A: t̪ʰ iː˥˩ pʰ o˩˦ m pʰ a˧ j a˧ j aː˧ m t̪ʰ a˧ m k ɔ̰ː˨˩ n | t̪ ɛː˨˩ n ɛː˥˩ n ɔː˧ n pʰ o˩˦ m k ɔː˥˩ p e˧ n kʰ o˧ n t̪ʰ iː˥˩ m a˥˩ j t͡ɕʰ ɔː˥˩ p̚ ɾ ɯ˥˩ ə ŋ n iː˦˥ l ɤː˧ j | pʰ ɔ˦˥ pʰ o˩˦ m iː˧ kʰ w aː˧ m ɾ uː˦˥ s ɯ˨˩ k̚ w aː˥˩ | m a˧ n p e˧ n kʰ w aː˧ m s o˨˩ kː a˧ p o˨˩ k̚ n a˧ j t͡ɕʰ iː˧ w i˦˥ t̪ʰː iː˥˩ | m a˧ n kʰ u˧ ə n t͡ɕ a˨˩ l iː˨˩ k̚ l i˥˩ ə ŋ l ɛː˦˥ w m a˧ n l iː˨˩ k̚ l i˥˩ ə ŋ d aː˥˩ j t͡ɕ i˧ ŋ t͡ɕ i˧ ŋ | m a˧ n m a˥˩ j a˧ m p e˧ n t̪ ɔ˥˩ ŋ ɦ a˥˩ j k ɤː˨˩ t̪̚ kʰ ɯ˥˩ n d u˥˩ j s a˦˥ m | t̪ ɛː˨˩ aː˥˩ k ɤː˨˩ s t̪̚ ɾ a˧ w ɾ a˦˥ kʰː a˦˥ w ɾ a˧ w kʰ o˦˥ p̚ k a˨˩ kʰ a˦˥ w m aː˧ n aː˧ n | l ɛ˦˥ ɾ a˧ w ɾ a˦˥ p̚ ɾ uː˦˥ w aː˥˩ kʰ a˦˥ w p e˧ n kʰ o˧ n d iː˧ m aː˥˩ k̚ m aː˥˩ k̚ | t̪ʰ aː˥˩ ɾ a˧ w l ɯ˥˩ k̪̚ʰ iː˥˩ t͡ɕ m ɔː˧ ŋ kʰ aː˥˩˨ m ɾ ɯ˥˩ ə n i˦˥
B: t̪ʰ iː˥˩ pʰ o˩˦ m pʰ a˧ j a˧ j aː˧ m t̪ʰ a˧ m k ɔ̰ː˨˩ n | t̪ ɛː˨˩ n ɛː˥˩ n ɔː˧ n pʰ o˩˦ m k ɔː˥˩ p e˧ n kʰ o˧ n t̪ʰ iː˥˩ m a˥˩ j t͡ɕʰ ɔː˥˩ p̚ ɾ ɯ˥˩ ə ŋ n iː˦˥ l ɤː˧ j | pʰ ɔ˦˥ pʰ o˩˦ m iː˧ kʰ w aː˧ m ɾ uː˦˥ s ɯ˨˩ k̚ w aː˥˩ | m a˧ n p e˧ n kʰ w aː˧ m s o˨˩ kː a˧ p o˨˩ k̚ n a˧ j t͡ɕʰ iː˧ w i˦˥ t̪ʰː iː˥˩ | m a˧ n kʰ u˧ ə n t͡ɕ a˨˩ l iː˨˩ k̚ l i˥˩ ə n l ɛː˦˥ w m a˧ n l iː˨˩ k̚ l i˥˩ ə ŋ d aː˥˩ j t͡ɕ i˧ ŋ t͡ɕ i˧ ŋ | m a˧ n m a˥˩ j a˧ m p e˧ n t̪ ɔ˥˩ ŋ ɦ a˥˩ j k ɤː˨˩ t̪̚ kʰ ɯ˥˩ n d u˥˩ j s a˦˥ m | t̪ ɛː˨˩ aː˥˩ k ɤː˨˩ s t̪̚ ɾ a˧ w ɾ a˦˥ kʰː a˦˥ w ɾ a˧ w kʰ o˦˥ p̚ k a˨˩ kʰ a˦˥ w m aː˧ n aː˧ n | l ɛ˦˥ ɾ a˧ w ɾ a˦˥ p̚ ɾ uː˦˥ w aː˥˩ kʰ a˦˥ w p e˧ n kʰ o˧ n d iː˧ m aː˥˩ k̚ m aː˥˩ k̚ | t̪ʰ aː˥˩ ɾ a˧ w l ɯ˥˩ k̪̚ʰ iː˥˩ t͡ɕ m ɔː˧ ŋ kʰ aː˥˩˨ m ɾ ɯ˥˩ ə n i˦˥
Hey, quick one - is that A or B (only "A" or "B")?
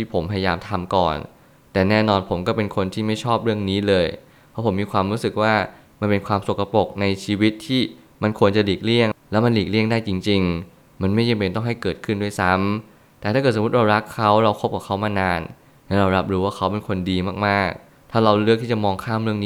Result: A